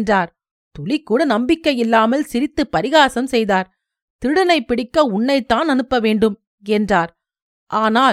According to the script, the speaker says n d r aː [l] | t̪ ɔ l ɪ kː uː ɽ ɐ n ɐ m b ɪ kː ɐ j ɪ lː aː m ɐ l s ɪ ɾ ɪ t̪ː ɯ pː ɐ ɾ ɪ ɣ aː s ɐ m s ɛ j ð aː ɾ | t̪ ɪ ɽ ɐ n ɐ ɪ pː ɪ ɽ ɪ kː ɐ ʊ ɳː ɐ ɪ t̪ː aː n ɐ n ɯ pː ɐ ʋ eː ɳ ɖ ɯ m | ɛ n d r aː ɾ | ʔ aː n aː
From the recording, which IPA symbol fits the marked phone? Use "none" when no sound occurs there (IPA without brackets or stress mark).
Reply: ɾ